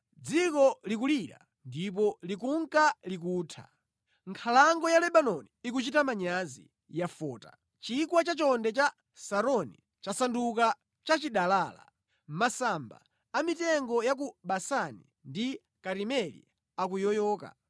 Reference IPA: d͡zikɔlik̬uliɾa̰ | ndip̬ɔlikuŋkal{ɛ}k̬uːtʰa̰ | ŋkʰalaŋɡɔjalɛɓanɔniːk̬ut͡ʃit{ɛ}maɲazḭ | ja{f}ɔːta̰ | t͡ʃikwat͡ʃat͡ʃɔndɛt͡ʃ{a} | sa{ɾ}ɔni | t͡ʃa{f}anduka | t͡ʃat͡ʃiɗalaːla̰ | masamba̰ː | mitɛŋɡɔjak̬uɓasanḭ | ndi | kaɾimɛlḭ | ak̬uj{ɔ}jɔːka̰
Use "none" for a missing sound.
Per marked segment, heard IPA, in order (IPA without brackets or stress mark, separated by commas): i, a, f, a, ɾ, s, ɔ